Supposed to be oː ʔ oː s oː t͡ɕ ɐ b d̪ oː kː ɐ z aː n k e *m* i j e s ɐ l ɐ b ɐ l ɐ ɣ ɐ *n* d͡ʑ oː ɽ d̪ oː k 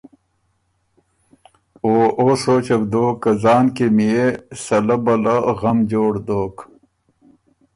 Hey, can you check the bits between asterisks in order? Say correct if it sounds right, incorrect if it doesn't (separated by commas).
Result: correct, incorrect